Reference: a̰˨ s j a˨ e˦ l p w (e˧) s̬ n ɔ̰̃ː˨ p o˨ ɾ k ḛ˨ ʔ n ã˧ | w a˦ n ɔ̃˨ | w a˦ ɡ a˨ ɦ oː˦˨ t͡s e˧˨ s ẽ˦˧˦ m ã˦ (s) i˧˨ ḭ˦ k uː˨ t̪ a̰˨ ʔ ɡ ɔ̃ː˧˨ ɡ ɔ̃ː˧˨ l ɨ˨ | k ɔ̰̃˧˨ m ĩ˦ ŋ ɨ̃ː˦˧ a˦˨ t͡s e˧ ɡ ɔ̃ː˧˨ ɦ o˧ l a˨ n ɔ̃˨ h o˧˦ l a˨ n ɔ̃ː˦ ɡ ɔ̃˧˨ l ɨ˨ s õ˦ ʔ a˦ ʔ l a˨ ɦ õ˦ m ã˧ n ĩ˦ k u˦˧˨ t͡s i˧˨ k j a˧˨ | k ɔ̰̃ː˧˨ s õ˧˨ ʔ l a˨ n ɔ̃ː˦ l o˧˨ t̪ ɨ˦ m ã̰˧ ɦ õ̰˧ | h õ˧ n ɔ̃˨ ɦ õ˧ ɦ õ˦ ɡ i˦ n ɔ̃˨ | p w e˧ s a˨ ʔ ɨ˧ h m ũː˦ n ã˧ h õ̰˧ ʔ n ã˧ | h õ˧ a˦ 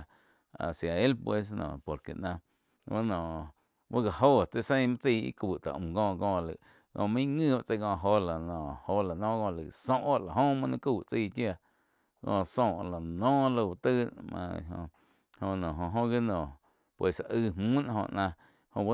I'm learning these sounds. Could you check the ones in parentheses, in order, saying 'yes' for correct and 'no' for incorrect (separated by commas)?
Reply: yes, no